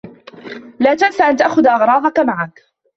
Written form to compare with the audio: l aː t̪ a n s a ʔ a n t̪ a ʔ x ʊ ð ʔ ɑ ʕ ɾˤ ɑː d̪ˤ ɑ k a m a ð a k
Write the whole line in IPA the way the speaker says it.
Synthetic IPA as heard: l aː t̪ a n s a ʔ a n t̪ a ʔ x ʊ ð ʔ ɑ ɣ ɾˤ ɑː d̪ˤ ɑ k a m a ʕ a k